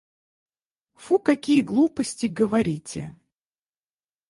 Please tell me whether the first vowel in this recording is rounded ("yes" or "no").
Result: yes